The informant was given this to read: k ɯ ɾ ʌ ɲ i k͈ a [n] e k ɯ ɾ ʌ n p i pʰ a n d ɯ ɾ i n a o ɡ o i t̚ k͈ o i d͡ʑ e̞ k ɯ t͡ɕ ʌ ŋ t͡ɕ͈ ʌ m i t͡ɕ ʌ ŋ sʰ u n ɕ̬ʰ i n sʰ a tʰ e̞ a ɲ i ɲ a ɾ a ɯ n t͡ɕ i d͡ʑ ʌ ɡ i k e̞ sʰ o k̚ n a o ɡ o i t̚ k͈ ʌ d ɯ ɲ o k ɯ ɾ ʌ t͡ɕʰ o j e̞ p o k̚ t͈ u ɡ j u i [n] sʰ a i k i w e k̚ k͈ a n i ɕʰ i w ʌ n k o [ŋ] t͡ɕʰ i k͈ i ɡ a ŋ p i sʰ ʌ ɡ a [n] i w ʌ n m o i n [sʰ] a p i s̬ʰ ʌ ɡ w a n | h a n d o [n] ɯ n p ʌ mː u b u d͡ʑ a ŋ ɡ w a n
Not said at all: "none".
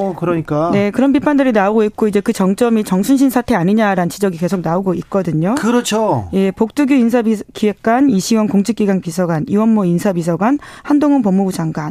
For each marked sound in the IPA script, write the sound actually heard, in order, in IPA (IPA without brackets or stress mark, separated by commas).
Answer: n, n, ŋ, n, sʰ, ŋ